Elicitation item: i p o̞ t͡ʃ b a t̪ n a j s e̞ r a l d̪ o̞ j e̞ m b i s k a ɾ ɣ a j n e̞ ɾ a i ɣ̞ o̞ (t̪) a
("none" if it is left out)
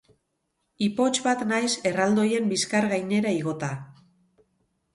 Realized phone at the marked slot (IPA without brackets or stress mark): t̪